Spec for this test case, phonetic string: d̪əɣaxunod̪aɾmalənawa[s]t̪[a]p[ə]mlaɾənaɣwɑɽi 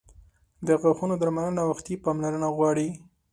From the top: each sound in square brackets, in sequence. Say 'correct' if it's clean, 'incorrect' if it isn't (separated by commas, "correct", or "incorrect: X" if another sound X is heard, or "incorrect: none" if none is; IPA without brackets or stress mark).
incorrect: x, incorrect: i, incorrect: ɑ